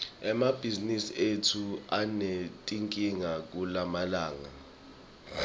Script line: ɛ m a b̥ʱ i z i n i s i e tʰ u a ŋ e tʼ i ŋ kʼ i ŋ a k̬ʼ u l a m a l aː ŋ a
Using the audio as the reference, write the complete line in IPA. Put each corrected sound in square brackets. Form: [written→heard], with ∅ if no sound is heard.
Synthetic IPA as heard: ɛ m a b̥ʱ i z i n i s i e tʰ u a [ŋ→n] e tʼ i ŋ kʼ i ŋ a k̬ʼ u l a m a l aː ŋ a